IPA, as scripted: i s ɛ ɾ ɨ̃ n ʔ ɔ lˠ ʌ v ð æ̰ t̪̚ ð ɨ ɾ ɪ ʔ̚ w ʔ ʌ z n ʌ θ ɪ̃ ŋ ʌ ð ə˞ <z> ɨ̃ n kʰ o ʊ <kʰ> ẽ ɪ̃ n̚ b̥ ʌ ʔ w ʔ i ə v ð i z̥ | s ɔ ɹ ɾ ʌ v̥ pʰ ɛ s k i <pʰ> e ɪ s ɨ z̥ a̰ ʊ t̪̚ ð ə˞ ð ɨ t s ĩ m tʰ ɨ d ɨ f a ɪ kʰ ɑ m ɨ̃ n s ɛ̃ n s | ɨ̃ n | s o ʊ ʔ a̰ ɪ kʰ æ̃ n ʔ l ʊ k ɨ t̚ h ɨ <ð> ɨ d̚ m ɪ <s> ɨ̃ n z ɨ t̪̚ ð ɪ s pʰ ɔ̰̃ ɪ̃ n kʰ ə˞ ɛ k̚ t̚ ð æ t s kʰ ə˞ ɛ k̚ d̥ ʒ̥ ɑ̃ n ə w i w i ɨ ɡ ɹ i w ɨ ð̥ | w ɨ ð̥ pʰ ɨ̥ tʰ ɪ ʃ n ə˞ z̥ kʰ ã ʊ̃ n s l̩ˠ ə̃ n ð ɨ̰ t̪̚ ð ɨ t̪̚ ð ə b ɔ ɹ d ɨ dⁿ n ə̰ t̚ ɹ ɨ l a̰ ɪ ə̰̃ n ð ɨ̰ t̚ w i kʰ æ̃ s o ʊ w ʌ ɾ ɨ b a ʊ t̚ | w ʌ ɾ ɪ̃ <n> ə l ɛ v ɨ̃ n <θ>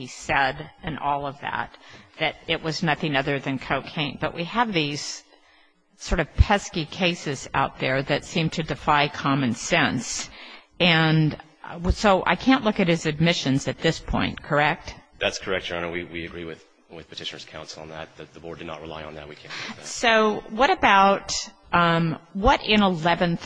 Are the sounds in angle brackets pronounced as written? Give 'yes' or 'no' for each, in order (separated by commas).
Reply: no, yes, no, no, no, yes, yes